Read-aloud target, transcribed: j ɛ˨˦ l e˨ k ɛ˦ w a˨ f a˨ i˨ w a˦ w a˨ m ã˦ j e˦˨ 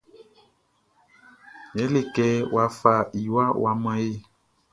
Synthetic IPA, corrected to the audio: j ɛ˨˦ l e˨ k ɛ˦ w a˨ f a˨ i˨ w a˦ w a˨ m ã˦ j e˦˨